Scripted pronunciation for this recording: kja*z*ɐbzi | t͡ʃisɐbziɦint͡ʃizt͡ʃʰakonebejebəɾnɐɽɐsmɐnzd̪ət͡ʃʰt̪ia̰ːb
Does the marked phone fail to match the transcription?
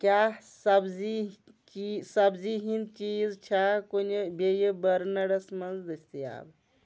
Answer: yes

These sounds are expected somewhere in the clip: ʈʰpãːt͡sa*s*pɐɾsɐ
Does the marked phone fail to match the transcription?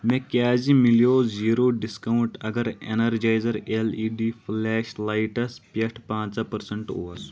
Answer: yes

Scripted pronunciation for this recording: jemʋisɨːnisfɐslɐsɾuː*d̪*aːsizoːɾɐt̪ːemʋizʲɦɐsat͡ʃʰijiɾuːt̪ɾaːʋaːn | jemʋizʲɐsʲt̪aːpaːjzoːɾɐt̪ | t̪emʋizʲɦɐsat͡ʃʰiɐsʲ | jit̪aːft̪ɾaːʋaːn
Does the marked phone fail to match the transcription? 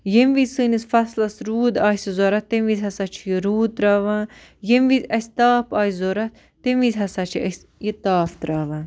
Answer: no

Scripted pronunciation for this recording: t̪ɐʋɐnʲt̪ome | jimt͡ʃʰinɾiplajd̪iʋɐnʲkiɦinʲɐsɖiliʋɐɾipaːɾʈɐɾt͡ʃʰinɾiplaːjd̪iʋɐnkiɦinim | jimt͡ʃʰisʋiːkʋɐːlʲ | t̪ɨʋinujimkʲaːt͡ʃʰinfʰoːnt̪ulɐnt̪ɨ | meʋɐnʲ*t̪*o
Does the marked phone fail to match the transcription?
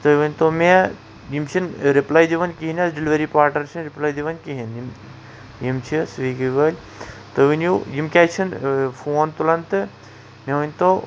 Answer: no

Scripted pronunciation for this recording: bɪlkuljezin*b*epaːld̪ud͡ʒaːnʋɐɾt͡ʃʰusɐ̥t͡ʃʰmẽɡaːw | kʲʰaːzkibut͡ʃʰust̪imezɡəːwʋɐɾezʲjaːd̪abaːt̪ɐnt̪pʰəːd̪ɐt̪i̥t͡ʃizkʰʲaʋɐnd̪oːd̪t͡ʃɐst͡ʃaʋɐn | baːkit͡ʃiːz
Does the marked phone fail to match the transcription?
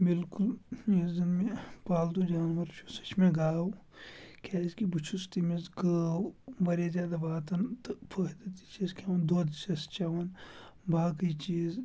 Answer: yes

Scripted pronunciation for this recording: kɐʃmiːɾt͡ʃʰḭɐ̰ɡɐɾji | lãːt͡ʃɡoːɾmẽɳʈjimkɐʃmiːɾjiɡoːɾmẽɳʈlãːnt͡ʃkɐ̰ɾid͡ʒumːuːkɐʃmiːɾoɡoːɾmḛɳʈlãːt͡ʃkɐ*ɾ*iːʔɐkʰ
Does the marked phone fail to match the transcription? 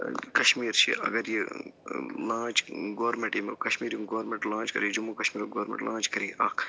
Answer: no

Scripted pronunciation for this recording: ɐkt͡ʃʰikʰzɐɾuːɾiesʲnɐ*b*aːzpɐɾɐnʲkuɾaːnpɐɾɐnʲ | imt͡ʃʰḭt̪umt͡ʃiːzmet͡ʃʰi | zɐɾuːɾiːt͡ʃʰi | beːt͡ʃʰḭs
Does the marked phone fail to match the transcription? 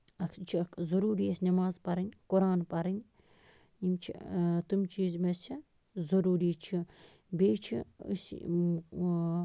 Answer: yes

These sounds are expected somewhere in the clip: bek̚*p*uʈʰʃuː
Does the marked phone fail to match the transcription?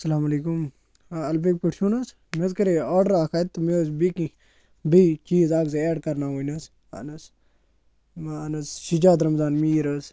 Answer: no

